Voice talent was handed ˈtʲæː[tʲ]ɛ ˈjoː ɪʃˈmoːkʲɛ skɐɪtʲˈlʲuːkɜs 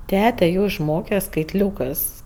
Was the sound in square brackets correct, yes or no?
yes